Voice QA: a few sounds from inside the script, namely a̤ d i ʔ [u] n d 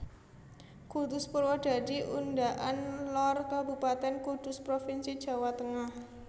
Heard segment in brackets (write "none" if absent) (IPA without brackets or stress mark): u